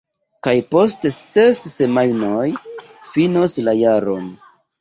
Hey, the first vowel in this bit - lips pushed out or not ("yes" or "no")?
no